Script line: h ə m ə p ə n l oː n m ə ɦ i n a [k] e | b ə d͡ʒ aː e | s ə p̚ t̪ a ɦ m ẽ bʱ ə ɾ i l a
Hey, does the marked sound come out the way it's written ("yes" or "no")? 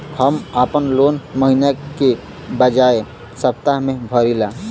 yes